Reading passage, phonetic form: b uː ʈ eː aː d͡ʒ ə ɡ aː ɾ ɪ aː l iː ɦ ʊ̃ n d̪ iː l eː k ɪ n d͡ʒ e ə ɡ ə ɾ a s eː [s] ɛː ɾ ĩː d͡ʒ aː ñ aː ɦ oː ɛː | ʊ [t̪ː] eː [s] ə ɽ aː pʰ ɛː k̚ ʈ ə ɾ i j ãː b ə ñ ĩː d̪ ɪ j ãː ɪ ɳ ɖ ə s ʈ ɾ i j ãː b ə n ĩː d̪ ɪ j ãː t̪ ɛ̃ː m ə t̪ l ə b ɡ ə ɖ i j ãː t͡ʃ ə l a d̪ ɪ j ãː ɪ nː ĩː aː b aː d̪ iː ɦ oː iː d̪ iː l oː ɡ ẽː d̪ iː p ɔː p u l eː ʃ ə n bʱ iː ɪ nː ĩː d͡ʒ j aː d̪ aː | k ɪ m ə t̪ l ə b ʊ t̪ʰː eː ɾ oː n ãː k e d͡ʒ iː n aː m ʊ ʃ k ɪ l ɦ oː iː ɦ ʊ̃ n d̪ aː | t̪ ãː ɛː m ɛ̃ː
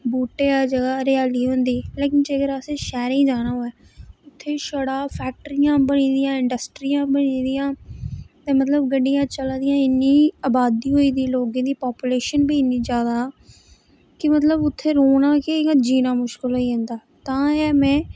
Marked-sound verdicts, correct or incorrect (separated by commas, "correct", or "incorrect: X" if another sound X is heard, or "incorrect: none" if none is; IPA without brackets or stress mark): incorrect: ʃ, incorrect: t̪ʰː, incorrect: ʃ